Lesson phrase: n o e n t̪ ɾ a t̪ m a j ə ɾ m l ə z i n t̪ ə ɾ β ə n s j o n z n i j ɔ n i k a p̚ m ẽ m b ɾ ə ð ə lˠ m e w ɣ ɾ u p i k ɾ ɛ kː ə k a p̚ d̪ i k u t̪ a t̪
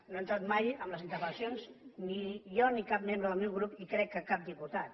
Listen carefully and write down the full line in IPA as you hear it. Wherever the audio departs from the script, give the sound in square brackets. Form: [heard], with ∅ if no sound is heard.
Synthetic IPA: n o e n t̪ ɾ a t̪ m a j ə [∅] m l ə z i n t̪ ə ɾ β ə n s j o n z n i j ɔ n i k a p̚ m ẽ m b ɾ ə ð ə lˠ m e w ɣ ɾ u p i k ɾ ɛ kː ə k a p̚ d̪ i [p] u t̪ a t̪